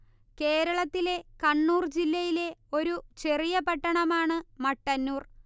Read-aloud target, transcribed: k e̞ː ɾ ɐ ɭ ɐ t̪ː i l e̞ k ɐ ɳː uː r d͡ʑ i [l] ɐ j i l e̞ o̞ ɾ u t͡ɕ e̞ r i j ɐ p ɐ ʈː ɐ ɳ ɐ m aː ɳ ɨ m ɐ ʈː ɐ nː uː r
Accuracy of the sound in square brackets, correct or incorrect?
incorrect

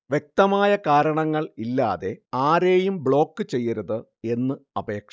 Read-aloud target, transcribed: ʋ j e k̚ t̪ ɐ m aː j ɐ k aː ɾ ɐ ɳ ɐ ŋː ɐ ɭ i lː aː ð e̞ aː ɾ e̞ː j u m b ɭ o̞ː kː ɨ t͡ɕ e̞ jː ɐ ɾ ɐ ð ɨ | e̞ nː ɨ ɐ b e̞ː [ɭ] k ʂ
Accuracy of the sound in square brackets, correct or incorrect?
incorrect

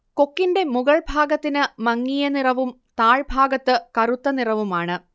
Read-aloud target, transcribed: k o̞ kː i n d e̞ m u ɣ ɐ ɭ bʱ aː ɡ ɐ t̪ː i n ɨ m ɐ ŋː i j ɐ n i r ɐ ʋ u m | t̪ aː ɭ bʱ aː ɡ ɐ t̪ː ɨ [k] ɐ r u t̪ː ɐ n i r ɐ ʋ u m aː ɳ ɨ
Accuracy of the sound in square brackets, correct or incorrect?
correct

